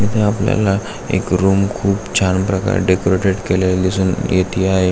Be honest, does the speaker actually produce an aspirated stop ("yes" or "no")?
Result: yes